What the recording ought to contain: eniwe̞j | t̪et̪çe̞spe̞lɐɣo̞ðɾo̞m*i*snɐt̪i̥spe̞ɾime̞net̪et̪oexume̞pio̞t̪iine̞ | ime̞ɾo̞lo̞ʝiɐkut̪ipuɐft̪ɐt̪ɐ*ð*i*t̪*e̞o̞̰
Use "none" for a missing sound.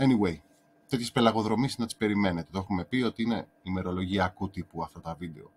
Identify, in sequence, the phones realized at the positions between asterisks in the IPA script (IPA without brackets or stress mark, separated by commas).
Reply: i, v, d̪